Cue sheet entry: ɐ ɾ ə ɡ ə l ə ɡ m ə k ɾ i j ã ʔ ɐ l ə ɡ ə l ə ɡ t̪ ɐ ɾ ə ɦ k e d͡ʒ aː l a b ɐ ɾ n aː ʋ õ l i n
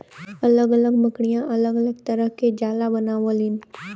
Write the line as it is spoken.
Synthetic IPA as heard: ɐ l ə ɡ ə l ə ɡ m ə k ɽ i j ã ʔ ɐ l ə ɡ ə l ə ɡ t̪ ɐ ɾ ə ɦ k e d͡ʒ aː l a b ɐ n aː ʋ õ l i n